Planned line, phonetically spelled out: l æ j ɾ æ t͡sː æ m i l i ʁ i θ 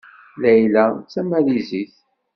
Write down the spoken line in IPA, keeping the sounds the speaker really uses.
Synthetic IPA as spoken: l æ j l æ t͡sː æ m æ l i z i θ

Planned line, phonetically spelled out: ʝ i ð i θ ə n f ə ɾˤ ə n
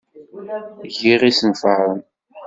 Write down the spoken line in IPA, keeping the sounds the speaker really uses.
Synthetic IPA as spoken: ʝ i ʁ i s ə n f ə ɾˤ ə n

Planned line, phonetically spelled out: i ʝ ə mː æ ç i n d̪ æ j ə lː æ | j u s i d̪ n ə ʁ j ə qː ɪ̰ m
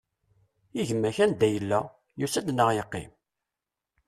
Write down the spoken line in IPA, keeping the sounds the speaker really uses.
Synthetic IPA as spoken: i ʝ ə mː æ ç æ n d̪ æ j ə lː æ | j u s æ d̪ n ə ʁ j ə qː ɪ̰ m

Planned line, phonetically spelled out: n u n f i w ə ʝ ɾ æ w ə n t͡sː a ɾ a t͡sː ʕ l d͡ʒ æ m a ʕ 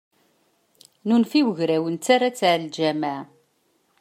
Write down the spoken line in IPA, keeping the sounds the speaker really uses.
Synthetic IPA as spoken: n u n f i w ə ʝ ɾ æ w ə n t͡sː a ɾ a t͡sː ʕ l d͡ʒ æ m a ʕ

